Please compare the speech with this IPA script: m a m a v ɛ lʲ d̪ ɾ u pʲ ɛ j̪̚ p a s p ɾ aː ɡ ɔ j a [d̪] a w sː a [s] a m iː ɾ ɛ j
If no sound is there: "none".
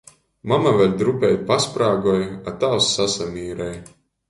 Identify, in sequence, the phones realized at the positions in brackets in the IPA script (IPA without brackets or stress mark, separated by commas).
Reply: t̪, s